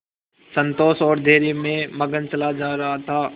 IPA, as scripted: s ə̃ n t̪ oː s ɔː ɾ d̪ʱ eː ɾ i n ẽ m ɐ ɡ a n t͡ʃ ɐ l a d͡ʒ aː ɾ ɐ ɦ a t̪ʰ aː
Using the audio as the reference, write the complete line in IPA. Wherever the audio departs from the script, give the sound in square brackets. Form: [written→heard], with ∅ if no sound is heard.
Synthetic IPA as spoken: s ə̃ n t̪ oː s ɔː ɾ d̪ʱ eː ɾ i [n→m] ẽ m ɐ ɡ [a→ə] n t͡ʃ ɐ l a d͡ʒ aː ɾ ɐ ɦ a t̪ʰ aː